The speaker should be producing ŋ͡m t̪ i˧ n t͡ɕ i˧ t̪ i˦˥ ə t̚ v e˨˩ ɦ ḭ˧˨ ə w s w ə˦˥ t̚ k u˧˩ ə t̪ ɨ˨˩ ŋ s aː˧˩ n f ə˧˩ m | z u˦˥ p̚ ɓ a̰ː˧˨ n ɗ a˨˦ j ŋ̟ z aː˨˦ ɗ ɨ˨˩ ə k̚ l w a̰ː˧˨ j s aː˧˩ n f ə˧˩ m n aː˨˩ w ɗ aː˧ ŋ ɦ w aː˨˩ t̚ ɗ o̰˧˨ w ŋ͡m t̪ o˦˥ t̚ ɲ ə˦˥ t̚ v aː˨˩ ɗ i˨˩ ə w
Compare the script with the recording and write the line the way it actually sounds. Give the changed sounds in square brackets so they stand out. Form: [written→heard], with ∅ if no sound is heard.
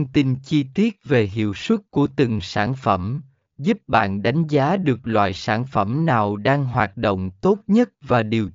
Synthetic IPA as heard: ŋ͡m t̪ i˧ n t͡ɕ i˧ t̪ i˦˥ ə t̚ v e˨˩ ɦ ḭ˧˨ ə w s w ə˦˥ t̚ k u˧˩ ə t̪ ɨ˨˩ ŋ s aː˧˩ n f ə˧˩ m | z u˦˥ p̚ ɓ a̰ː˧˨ n ɗ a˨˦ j ŋ̟ z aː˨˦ ɗ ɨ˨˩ ə k̚ l w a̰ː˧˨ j s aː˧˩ n f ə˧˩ m n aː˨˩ w ɗ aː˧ ŋ ɦ w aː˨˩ t̚ ɗ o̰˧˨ w ŋ͡m t̪ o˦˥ t̚ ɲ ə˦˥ t̚ v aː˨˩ ɗ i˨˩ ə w